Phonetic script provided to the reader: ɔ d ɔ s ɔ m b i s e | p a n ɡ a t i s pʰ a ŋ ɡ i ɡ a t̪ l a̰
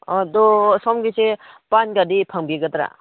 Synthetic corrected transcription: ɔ d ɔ s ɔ m ɡ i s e | p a n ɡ a d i pʰ a ŋ b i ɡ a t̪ ɾ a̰